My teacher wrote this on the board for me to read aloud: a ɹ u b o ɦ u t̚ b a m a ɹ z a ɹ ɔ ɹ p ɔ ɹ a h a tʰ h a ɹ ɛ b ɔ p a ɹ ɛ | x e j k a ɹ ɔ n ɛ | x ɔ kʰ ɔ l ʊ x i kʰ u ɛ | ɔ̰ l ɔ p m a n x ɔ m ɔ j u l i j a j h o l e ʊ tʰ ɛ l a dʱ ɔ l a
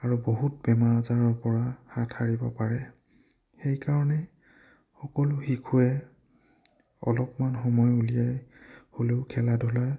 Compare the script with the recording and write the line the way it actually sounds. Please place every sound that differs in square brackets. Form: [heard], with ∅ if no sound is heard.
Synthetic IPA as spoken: a ɹ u b o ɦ u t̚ b [ɛ] m a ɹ z a ɹ ɔ ɹ p ɔ ɹ a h a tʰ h a ɹ [i] b ɔ p a ɹ ɛ | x e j k a ɹ ɔ n ɛ | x ɔ [k] ɔ l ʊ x i kʰ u ɛ | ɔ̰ l ɔ p m a n x ɔ m ɔ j u l i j a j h o l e ʊ [kʰ] ɛ l a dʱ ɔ l a